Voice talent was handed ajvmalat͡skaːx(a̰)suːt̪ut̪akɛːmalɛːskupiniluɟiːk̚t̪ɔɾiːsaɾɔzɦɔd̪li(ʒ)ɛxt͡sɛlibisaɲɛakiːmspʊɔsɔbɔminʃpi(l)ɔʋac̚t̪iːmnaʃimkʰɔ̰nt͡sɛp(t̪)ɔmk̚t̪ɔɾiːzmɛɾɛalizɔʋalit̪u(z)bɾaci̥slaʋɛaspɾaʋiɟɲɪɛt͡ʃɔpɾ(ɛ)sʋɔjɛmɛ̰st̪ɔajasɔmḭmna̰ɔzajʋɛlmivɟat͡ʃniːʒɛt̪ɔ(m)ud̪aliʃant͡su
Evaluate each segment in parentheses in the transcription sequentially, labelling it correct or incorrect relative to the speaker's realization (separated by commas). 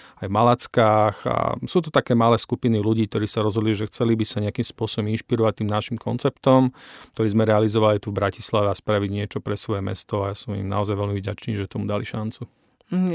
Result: correct, correct, incorrect, correct, incorrect, correct, correct